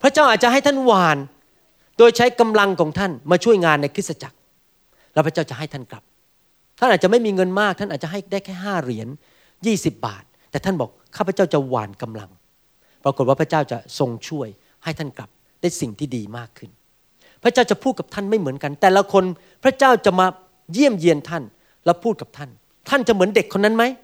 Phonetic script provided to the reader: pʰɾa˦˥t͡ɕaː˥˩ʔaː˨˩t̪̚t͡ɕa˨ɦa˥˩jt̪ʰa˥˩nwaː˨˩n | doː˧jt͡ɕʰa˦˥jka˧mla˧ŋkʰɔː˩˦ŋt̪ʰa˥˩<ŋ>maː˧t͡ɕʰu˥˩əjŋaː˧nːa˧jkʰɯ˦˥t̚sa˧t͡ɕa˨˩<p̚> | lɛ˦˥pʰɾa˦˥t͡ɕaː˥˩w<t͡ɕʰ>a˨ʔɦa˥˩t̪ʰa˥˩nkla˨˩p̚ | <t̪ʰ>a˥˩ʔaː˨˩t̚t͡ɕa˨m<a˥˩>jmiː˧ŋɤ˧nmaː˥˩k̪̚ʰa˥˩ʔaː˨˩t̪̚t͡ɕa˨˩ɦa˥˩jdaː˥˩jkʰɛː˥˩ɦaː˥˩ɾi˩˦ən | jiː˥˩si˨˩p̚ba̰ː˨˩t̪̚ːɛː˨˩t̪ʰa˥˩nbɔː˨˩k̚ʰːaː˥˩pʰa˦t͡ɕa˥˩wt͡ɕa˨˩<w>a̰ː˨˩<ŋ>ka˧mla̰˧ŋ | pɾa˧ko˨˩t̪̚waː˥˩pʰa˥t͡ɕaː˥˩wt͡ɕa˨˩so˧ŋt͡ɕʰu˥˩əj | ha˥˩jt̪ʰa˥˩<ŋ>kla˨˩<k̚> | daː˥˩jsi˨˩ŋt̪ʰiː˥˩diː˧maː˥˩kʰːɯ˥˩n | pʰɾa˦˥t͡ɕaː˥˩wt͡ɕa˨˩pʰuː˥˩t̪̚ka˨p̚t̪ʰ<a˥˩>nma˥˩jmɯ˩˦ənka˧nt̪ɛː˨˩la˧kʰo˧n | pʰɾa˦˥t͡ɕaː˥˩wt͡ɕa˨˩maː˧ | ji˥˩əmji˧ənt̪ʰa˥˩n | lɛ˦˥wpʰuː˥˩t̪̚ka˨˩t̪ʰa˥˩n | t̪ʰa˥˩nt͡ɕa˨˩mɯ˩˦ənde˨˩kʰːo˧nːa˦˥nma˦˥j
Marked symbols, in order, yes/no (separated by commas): no, no, no, yes, yes, yes, no, no, no, yes